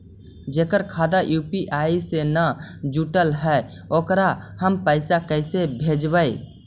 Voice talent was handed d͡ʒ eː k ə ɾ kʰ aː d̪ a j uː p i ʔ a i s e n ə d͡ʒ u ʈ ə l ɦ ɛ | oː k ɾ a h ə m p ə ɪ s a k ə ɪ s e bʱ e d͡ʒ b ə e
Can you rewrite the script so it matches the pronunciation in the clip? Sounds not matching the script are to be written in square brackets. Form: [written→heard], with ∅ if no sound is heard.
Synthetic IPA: d͡ʒ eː k ə ɾ kʰ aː d̪ a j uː p i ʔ a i s e n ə d͡ʒ u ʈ ə l ɦ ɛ | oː k ɾ a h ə m p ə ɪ s a k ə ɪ s e bʱ e d͡ʒ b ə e